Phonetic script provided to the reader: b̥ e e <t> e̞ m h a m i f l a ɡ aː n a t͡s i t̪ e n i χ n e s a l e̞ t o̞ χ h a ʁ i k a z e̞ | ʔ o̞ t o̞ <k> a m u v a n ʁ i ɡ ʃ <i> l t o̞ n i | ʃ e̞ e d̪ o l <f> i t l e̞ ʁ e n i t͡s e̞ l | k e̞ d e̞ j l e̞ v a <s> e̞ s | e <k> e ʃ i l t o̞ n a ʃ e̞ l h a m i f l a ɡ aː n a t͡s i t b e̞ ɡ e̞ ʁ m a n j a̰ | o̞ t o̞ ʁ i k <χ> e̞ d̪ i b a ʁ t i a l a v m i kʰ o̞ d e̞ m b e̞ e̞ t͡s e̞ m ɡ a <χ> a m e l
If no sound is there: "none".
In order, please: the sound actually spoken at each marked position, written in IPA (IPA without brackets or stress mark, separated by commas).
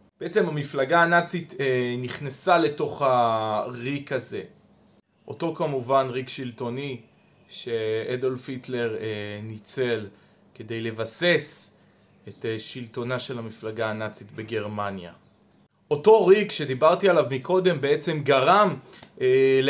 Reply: t͡s, k, i, f, s, t, ʃ, ʁ